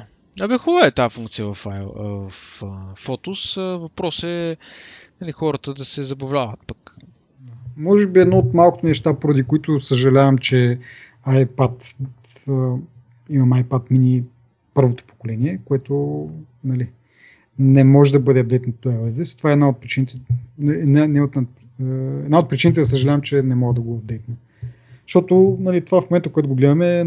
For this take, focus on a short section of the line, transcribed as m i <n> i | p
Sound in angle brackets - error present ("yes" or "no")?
no